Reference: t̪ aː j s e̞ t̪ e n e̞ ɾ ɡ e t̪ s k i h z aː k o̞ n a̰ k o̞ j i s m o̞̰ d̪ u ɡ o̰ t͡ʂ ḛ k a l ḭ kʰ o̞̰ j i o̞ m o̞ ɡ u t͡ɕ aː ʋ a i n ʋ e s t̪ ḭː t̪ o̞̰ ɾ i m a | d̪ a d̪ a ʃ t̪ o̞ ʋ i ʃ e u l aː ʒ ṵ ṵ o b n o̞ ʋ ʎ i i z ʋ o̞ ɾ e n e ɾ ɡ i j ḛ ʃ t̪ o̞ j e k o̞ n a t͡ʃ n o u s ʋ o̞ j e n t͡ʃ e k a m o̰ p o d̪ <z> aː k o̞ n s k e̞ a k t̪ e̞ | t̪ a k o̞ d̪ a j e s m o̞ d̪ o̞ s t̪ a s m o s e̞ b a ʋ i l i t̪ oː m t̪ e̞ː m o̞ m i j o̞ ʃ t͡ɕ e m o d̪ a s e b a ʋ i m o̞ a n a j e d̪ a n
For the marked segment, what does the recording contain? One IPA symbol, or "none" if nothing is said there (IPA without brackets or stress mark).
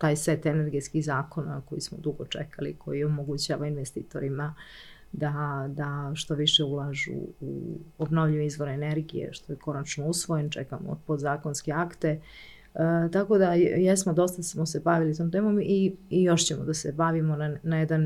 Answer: z